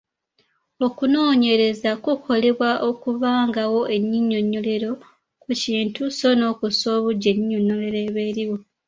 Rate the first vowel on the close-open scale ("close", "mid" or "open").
mid